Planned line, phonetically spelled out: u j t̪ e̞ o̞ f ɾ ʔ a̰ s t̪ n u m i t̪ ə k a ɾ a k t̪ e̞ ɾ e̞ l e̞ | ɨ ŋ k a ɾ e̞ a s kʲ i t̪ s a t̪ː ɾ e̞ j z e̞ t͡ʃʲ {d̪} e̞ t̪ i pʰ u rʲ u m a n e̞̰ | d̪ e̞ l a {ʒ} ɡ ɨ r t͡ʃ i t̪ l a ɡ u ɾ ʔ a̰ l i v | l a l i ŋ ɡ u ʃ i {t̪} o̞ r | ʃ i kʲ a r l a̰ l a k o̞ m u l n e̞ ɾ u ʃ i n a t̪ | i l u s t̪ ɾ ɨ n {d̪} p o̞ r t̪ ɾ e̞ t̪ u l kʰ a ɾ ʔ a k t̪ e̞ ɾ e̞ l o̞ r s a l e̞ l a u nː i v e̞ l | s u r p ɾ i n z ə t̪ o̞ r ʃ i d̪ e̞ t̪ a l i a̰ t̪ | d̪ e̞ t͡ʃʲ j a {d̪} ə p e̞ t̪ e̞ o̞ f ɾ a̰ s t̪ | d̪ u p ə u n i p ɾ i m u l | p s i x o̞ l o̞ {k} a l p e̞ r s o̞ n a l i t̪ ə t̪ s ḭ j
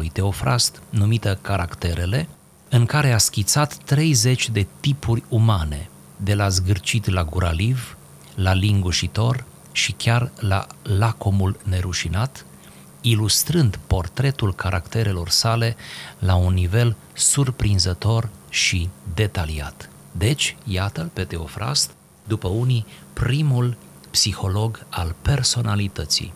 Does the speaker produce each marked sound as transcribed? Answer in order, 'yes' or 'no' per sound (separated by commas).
yes, no, yes, yes, no, no